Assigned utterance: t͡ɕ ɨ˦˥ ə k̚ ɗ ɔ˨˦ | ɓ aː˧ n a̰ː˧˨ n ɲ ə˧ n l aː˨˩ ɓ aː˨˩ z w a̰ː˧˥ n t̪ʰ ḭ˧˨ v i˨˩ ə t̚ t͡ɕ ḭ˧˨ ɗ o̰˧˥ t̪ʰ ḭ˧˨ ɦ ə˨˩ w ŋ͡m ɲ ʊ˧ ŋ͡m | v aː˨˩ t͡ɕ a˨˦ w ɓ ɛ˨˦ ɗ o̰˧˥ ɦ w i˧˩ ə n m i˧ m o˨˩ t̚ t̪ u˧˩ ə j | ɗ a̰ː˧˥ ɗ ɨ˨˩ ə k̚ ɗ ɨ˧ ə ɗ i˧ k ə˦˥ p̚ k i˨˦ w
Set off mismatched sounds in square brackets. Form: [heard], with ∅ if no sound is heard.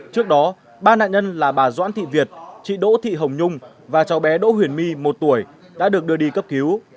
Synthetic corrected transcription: t͡ɕ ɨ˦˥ ə k̚ ɗ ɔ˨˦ | ɓ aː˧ n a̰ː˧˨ n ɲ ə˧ n l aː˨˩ ɓ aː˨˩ z w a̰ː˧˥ n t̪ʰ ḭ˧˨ v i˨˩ ə t̚ t͡ɕ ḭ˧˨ ɗ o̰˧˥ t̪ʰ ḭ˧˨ ɦ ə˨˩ w ŋ͡m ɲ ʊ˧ ŋ͡m | v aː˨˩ t͡ɕ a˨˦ w ɓ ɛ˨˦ ɗ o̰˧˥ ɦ w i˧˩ ə n m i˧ m o˨˩ t̚ t̪ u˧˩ ə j | ɗ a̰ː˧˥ ɗ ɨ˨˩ ə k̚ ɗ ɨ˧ ə ɗ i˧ k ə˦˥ p̚ k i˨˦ w